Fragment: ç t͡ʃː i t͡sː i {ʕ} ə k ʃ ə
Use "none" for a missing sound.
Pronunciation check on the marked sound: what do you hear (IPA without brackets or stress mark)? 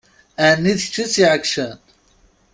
ʕ